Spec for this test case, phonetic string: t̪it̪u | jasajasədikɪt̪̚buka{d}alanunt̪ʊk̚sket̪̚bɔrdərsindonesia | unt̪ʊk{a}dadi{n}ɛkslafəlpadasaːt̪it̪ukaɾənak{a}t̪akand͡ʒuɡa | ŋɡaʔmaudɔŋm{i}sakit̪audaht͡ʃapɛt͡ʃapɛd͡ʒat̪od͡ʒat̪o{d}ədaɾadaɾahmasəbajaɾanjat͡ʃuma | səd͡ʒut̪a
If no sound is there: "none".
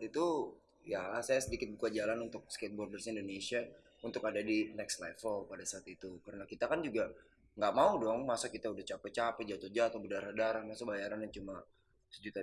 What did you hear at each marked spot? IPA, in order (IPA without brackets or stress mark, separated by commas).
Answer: d͡ʒ, a, n, i, a, b